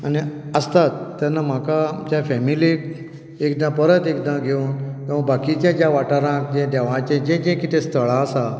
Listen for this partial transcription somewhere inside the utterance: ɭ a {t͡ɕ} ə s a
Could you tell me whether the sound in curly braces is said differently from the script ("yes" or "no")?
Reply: yes